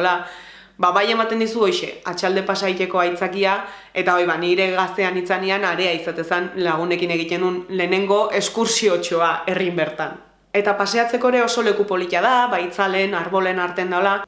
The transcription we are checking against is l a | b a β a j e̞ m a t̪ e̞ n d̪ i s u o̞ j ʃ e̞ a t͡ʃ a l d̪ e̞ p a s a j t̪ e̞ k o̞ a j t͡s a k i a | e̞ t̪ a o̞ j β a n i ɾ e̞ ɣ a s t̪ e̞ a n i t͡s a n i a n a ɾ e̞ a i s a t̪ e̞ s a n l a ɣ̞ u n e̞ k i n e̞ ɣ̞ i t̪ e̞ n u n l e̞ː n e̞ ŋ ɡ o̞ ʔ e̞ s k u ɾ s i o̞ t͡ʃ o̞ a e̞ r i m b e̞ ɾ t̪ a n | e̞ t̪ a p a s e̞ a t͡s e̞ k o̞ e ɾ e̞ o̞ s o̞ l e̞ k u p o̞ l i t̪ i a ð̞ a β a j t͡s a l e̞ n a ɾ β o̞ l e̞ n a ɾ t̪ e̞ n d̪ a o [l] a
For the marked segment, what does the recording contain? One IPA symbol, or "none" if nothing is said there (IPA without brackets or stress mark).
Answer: l